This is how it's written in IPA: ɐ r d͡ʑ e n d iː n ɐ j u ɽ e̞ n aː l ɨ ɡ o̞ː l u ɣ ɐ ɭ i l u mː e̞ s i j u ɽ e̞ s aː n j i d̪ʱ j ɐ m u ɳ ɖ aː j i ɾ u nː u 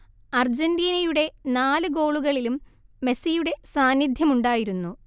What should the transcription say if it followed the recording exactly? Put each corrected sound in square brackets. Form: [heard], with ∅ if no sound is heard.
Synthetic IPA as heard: ɐ r d͡ʑ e n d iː n ɐ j u ɽ e̞ n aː l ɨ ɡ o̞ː [ɭ] u ɣ ɐ ɭ i l u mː e̞ s i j u ɽ e̞ s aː n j i d̪ʱ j ɐ m u ɳ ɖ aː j i ɾ u nː u